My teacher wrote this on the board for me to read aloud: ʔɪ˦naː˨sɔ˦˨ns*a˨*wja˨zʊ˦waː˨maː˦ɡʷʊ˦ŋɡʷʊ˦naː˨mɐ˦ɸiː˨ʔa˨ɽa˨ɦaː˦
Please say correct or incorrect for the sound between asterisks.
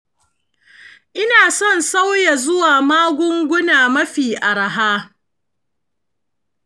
incorrect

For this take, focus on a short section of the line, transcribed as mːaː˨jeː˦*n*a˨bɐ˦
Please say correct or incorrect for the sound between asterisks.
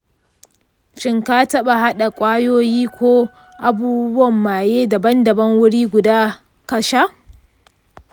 incorrect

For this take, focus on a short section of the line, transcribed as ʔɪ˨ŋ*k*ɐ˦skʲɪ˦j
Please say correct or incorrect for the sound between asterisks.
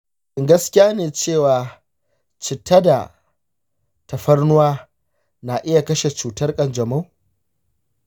incorrect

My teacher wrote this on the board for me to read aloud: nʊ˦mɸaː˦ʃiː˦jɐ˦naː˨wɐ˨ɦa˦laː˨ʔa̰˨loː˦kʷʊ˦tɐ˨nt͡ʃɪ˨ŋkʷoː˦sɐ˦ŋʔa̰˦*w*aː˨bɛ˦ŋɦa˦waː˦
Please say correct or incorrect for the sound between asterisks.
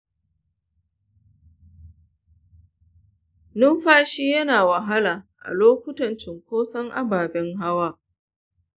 incorrect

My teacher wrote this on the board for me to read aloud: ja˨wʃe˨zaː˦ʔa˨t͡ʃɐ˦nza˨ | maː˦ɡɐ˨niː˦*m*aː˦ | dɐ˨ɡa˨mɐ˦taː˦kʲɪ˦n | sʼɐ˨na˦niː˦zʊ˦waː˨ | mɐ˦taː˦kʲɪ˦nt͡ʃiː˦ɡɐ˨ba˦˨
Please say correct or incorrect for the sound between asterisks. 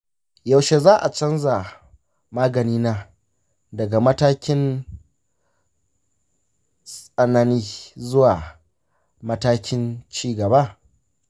incorrect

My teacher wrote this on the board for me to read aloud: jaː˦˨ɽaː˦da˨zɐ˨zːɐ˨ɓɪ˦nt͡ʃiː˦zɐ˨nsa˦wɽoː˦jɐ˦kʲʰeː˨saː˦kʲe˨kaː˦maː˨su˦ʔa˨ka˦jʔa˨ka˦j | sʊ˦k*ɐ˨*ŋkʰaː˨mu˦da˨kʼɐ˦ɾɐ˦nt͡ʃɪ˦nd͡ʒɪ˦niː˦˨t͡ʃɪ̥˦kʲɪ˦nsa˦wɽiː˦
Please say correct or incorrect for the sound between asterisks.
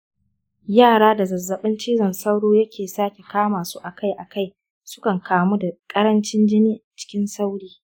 correct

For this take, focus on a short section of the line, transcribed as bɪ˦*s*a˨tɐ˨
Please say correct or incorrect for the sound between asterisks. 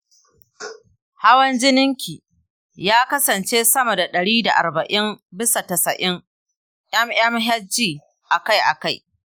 correct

